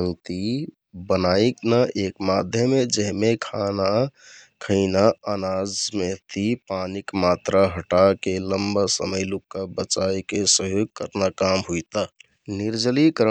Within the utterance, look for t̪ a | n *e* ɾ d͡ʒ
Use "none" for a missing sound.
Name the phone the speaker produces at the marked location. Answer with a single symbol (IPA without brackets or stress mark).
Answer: i